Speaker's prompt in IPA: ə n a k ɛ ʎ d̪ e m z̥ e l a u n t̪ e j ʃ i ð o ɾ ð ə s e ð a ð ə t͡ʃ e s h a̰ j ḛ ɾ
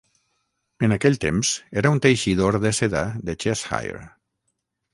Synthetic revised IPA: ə n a k ɛ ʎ t̪ e m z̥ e ɾ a u n t̪ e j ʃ i ð o ɾ ð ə s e ð a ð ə t͡ʃ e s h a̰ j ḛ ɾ